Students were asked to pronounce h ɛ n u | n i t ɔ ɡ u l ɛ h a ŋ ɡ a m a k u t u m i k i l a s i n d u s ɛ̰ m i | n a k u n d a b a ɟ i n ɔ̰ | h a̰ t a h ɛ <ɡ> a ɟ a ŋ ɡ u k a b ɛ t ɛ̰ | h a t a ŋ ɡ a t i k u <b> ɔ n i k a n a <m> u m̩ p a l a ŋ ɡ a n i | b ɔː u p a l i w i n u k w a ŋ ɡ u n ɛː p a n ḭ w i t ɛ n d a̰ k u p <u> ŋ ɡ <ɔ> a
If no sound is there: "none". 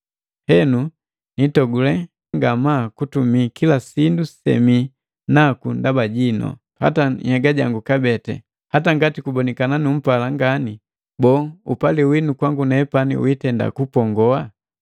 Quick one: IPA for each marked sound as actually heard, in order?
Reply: ɡ, b, n, ɔ, ɔ

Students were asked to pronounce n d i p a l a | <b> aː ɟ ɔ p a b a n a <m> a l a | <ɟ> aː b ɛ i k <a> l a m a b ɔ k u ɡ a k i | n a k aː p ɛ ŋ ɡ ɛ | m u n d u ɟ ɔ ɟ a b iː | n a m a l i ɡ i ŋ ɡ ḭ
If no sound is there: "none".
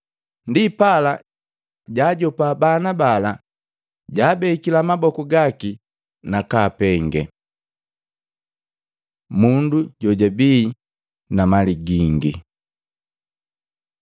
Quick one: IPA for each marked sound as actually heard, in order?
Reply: ɟ, b, ɟ, i

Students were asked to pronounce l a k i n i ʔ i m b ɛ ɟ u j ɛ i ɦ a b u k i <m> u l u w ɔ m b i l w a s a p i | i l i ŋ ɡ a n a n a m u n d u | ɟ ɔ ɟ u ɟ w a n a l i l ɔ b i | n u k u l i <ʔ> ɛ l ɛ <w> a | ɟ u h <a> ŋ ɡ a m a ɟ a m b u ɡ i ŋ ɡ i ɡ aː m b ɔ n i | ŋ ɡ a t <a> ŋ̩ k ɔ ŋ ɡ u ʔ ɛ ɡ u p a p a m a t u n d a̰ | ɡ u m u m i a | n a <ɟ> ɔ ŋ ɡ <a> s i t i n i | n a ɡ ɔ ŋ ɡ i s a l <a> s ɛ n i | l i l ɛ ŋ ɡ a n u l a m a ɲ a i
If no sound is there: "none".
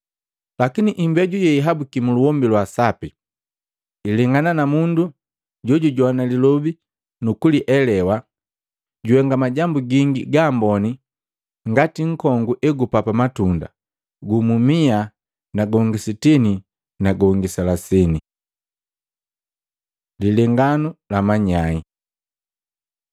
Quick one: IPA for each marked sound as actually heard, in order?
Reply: m, ʔ, w, ɛ, i, ɡ, i, a

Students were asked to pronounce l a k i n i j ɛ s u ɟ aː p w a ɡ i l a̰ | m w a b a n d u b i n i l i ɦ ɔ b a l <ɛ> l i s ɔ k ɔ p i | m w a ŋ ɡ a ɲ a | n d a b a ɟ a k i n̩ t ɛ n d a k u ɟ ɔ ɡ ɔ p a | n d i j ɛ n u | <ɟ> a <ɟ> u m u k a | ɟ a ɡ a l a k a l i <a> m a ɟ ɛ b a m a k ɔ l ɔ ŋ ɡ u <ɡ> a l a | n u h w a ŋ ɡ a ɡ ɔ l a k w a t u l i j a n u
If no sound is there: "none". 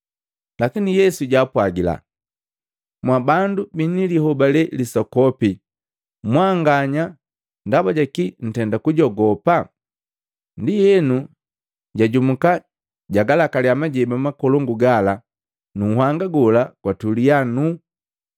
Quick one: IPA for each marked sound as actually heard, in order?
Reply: ɛ, ɟ, ɟ, a, ɡ

